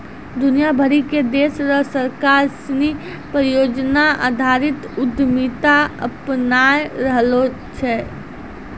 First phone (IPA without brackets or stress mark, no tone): d̪